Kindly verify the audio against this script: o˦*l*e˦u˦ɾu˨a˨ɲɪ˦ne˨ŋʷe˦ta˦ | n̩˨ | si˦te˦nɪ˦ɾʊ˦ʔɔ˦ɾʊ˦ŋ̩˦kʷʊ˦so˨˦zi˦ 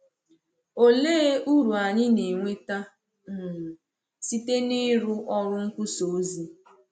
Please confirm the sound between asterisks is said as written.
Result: yes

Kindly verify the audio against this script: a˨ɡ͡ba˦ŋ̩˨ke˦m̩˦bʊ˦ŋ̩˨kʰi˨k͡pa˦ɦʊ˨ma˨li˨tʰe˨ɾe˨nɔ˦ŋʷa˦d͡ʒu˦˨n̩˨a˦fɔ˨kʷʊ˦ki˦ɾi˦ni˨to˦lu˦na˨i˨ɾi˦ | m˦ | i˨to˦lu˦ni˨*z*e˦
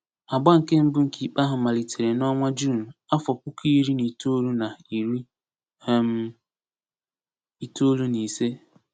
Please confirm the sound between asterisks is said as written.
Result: no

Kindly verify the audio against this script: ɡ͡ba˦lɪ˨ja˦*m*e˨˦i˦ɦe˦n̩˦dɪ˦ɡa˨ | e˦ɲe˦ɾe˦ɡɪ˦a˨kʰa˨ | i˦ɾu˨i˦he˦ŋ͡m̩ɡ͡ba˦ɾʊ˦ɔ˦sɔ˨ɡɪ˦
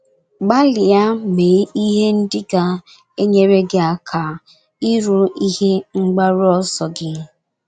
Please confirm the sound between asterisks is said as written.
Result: yes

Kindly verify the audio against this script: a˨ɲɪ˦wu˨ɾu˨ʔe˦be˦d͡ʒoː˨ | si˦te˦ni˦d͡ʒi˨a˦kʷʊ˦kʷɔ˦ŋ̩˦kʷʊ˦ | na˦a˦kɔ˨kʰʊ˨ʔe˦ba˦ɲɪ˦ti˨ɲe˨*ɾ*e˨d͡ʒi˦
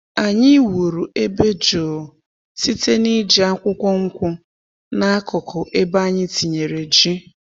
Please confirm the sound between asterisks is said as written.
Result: yes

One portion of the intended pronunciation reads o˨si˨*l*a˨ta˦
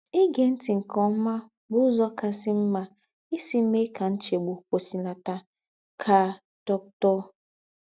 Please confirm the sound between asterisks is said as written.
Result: yes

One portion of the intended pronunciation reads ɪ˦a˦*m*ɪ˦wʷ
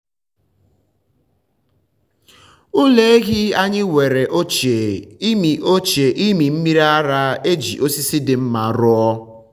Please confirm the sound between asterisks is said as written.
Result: no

